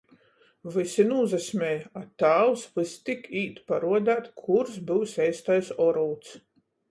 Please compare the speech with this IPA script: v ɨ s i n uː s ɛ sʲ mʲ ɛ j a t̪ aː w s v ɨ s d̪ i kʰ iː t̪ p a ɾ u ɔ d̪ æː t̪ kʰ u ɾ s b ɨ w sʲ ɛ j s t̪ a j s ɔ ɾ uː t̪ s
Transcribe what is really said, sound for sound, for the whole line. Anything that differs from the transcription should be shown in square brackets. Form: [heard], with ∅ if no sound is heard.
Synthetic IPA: v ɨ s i n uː [z] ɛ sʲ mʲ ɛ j a t̪ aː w s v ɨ s [t̪] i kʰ iː t̪ p a ɾ u ɔ d̪ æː t̪ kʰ u ɾ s b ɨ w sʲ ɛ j s t̪ a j s ɔ ɾ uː t̪ s